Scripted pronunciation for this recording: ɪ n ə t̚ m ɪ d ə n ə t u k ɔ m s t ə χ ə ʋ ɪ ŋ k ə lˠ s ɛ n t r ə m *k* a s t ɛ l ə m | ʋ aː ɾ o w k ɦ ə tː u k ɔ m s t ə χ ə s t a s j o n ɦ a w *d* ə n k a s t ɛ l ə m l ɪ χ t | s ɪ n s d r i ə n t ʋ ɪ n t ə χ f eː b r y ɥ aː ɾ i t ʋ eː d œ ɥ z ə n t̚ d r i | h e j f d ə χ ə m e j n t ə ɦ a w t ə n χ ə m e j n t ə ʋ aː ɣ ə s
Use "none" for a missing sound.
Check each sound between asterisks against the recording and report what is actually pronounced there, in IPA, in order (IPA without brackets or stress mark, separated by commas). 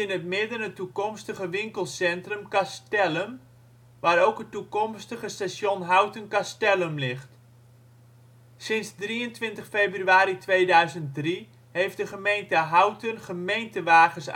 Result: k, t